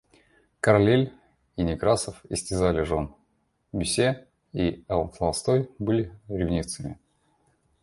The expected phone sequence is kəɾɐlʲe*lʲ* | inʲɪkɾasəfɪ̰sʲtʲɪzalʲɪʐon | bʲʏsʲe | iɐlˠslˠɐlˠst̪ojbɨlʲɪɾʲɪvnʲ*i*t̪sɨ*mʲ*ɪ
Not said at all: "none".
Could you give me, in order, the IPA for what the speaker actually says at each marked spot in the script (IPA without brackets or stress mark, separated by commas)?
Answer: lʲ, i, mʲ